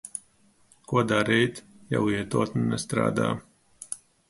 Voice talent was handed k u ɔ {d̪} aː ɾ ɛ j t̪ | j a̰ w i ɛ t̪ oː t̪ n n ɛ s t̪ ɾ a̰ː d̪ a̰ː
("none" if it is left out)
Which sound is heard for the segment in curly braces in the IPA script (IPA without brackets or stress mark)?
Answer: d̪